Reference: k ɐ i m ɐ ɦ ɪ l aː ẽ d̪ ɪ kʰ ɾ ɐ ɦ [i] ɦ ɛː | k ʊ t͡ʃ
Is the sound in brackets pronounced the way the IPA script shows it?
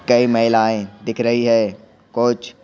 yes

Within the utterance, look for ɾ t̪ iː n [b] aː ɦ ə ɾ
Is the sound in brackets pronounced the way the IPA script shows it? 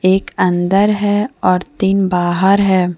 yes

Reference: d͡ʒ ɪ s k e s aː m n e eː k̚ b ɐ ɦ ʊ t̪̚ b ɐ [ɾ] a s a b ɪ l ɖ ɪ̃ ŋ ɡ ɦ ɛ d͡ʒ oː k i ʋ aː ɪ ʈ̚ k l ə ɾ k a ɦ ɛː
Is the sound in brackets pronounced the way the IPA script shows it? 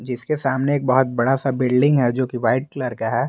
no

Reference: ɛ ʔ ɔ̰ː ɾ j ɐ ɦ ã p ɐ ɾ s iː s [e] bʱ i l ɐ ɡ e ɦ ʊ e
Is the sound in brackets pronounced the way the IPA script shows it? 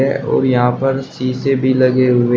yes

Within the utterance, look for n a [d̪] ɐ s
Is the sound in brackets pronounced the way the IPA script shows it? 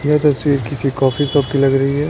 no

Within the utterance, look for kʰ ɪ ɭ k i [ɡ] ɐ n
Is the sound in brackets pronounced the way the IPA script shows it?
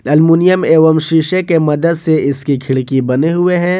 no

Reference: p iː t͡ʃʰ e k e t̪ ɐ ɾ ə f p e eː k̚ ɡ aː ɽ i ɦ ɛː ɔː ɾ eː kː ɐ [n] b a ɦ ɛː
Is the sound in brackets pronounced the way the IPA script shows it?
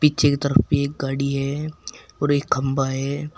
no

